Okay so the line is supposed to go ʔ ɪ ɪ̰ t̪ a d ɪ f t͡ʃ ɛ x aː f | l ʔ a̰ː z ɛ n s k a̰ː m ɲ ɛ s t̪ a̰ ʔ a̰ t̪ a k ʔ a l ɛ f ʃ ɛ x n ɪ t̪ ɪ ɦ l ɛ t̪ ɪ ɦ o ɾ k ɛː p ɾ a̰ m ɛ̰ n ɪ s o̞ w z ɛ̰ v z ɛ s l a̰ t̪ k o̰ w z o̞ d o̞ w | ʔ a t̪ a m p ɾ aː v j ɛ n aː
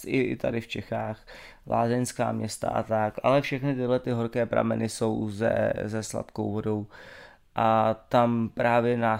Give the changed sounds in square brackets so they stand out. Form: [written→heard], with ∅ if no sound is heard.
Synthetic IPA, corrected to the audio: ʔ ɪ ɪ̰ t̪ a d ɪ f t͡ʃ ɛ x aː [f→x] | l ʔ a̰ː z ɛ n s k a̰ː m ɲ ɛ s t̪ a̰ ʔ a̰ t̪ a k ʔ a l ɛ f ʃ ɛ x n ɪ t̪ ɪ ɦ l ɛ t̪ ɪ ɦ o ɾ k ɛː p ɾ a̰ m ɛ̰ n ɪ s o̞ w z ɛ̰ [v→∅] z ɛ s l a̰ t̪ k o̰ w [z→v] o̞ d o̞ w | ʔ a t̪ a m p ɾ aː v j ɛ n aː